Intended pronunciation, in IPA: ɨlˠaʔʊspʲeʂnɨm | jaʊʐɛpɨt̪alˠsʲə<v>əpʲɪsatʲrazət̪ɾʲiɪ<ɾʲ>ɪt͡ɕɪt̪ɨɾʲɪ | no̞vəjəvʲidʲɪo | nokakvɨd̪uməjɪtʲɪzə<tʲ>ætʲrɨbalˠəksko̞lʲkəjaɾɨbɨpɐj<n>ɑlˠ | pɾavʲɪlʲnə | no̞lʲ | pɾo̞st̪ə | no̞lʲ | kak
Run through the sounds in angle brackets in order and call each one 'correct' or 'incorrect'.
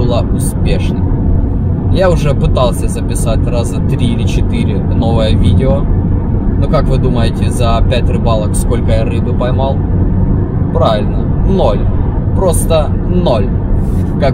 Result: incorrect, incorrect, incorrect, incorrect

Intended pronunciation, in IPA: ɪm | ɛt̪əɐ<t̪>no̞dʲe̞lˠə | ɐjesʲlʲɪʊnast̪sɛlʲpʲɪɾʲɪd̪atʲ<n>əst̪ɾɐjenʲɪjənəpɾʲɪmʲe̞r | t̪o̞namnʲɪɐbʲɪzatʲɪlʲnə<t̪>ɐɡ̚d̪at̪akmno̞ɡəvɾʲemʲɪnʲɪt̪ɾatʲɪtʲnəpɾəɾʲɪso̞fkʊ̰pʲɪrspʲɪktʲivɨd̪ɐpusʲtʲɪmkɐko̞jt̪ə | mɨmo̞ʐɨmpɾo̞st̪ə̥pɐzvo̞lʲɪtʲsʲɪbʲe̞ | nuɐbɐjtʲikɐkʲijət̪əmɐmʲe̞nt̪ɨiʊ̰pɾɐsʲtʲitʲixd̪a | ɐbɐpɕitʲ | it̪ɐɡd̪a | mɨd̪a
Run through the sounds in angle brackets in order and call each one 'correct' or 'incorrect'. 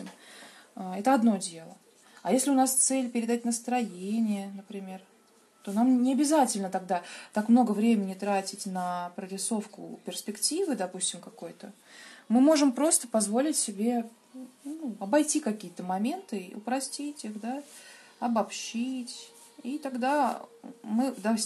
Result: incorrect, correct, correct

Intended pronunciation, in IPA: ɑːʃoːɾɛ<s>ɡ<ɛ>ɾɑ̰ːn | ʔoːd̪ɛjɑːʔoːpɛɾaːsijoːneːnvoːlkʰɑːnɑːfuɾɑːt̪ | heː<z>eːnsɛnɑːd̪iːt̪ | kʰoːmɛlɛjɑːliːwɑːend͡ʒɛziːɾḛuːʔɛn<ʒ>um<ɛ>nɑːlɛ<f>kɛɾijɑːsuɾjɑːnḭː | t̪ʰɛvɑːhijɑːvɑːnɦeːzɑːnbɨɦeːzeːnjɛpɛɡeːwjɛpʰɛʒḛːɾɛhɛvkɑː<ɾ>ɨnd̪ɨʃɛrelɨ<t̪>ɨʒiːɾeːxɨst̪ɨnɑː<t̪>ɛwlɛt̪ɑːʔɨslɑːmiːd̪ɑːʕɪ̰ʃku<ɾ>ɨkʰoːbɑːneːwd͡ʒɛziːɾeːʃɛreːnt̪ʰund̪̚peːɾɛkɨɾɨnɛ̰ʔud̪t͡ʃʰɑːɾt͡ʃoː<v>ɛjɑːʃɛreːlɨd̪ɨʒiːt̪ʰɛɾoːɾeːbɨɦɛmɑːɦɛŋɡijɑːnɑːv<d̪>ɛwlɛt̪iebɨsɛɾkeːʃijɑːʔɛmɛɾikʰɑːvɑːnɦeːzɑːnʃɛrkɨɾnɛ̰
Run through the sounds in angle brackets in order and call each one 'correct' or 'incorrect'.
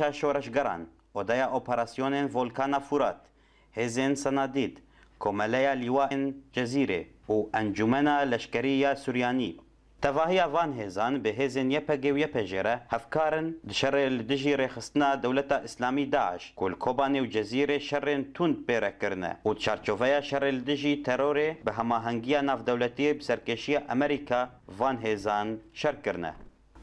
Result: incorrect, correct, correct, incorrect, correct, incorrect, correct, incorrect, incorrect, incorrect, correct, correct

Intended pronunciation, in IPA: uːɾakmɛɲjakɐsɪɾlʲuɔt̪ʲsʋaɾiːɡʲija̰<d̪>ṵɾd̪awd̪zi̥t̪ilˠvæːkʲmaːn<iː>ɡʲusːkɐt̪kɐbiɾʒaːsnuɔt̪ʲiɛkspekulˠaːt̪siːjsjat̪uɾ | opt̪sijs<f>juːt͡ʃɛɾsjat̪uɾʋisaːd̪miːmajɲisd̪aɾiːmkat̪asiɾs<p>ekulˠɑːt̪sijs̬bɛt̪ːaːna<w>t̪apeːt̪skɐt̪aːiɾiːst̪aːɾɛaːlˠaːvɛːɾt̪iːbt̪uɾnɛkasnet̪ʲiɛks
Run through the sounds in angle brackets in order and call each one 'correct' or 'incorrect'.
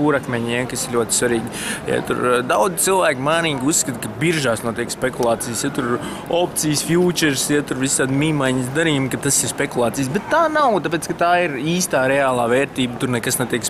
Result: incorrect, correct, correct, correct, correct

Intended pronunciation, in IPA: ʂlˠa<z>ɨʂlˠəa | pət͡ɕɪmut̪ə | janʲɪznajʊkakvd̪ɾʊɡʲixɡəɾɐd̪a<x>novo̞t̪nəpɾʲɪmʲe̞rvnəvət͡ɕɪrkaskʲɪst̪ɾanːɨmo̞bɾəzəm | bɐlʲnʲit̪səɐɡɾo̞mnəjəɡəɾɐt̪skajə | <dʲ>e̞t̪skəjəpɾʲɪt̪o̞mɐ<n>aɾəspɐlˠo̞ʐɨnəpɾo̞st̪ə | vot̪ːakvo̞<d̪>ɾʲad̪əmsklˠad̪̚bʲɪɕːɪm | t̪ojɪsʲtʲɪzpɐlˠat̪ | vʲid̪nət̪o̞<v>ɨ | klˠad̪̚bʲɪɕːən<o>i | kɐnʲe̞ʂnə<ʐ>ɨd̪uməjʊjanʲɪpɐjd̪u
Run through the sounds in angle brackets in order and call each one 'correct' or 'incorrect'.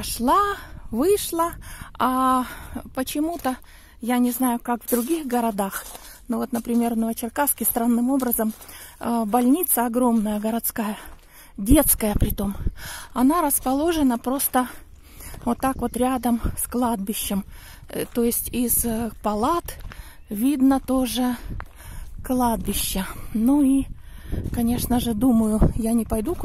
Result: incorrect, correct, correct, correct, incorrect, incorrect, incorrect, correct

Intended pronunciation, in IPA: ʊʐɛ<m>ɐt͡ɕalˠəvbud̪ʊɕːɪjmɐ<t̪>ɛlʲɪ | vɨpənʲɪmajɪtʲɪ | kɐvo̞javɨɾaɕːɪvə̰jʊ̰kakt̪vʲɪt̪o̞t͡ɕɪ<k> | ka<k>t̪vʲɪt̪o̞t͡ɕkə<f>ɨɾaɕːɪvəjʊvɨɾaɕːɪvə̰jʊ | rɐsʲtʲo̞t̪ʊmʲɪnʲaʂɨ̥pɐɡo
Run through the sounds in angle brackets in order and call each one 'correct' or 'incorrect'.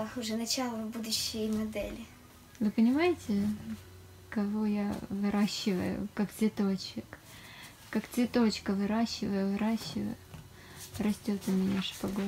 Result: incorrect, incorrect, correct, correct, incorrect

